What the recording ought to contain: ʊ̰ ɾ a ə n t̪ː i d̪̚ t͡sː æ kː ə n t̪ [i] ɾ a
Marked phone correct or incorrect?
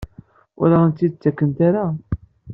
incorrect